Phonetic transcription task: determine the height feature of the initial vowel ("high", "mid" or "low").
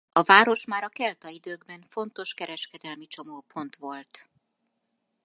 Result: low